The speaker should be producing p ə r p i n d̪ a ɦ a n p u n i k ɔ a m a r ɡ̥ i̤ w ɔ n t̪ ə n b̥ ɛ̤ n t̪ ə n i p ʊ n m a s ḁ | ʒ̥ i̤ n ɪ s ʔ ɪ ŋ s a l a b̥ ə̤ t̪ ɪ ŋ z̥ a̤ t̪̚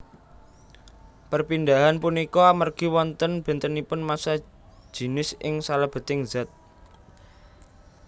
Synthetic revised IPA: p ə r p i n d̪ a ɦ a n p u n i k ɔ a m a r ɡ̥ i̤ w ɔ n t̪ ə n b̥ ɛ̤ n t̪ ə n i p ʊ n m a s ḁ | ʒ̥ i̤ n ɪ s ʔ ɪ ŋ s a l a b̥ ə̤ t̪ ɪ ŋ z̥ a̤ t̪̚